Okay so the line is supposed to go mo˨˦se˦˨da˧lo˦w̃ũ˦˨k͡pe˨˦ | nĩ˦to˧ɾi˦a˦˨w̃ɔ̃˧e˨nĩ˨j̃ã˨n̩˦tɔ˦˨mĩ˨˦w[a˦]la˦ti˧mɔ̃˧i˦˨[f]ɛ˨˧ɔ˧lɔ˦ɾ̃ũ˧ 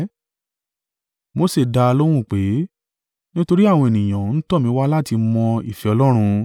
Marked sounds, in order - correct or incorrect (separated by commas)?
correct, correct